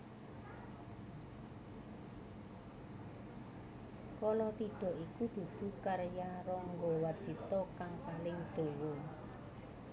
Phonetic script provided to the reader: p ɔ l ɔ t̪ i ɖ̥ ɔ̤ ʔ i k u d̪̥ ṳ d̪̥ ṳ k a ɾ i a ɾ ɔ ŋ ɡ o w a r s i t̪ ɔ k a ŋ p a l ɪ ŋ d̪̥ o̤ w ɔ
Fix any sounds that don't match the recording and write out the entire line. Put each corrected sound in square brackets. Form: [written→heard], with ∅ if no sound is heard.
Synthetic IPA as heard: [p→k] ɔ l ɔ t̪ i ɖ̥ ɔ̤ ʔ i k u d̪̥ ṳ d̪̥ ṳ k a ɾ [i→j] a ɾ ɔ ŋ ɡ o w a r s i t̪ ɔ k a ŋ p a l ɪ ŋ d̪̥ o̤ w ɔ